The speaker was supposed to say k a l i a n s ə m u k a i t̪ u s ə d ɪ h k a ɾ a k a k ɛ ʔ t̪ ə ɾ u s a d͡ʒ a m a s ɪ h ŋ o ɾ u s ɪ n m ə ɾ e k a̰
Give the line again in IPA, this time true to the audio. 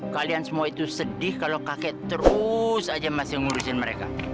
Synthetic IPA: k a l i a n s ə m u a i t̪ u s ə d ɪ h k a l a k a k ɛ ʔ t̪ ə ɾ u s a d͡ʒ a m a s ɪ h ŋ u ɾ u s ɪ n m ə ɾ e k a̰